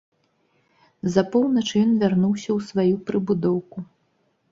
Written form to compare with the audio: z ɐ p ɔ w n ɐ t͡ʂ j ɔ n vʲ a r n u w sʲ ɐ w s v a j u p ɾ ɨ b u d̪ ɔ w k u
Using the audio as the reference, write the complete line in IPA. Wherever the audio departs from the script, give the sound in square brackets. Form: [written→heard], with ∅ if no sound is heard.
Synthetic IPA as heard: z ɐ p ɔ w n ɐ t͡ʂ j ɔ n vʲ a r n u w sʲ ɐ w s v a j u p ɾ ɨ b u d̪ ɔ w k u